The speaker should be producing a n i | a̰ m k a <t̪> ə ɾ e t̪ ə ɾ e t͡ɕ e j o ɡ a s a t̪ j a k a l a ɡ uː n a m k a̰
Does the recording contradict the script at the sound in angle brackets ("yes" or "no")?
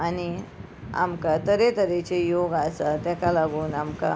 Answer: no